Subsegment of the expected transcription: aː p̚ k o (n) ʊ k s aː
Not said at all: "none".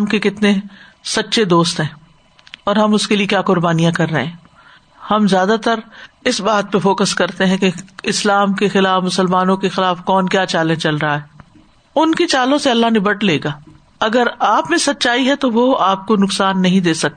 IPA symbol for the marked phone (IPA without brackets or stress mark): n